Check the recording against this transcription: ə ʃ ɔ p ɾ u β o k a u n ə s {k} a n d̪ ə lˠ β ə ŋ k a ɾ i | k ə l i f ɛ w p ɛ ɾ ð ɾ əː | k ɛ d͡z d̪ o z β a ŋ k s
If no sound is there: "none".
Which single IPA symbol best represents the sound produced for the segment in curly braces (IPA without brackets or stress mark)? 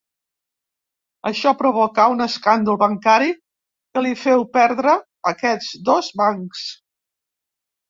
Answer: k